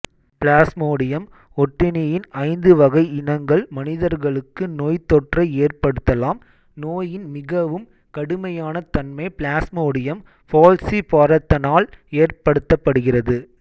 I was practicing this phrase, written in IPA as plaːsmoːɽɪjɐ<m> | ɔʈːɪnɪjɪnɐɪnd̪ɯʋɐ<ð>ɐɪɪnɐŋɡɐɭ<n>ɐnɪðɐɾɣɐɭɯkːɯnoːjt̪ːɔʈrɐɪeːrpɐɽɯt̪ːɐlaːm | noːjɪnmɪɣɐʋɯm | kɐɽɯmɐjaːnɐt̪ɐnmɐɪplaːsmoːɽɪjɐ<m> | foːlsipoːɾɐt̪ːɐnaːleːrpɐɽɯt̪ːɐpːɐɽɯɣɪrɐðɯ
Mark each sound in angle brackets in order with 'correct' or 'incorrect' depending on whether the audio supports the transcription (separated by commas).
correct, incorrect, incorrect, correct